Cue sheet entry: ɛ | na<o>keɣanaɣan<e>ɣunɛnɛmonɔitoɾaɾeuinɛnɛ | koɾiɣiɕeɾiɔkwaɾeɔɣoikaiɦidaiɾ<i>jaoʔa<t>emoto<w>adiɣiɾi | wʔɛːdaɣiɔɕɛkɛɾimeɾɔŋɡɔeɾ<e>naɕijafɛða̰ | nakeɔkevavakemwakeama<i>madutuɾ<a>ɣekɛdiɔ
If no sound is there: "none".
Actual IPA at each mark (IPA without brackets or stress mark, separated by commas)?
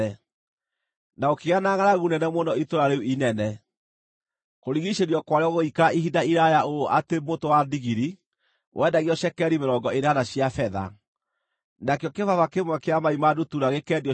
o, a, a, t, w, a, i, a